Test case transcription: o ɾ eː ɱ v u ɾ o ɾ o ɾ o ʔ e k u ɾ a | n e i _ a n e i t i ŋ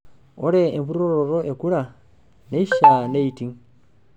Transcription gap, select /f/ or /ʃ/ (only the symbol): ʃ